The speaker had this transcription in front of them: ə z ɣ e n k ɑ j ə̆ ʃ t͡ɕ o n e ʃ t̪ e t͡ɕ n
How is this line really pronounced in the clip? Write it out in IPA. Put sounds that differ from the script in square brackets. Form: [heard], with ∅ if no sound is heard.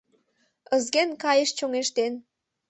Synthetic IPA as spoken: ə z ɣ e n k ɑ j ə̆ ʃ t͡ɕ o [ŋ] e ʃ t̪ e [∅] n